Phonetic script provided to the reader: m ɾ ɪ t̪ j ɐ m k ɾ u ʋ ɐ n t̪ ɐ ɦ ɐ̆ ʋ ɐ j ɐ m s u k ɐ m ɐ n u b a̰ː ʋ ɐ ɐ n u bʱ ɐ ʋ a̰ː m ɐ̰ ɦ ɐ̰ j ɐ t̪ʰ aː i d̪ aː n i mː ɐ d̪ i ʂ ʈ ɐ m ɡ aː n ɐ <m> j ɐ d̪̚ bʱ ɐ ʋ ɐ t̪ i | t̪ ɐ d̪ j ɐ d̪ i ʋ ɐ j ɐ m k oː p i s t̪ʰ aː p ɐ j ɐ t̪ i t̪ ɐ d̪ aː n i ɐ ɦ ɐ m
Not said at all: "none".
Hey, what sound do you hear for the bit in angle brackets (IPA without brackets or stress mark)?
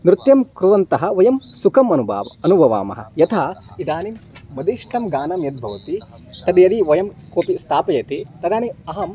m